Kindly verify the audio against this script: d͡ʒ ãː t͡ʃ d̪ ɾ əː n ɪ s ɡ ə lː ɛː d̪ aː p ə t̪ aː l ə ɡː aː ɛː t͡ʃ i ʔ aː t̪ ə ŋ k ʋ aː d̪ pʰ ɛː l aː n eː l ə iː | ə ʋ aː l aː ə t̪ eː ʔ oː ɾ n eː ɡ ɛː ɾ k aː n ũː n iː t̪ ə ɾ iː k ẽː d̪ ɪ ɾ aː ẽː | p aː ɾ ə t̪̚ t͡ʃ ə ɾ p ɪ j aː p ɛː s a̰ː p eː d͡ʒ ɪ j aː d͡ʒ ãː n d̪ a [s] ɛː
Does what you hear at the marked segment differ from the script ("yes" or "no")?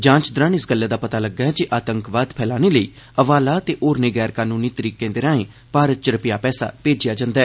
yes